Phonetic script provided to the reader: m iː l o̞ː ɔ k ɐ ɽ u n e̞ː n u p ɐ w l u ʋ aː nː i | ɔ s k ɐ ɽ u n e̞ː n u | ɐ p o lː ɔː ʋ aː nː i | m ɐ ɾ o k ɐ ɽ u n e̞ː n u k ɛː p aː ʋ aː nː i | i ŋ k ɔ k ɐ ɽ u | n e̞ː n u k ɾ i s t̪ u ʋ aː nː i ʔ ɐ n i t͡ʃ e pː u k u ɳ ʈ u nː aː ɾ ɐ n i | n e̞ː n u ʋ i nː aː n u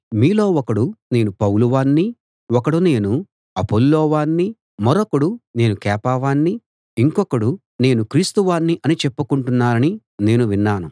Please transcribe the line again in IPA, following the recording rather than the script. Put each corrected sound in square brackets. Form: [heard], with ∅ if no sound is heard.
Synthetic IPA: m iː l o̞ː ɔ k ɐ ɽ u n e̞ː n u p ɐ w l u ʋ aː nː i | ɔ [∅] k ɐ ɽ u n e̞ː n u | ɐ p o lː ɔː ʋ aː nː i | m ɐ ɾ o k ɐ ɽ u n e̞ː n u k ɛː p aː ʋ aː nː i | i ŋ k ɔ k ɐ ɽ u | n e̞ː n u k ɾ [iː] s t̪ u ʋ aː nː i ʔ ɐ n i t͡ʃ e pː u k u ɳ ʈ u nː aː ɾ ɐ n i | n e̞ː n u ʋ i nː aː n u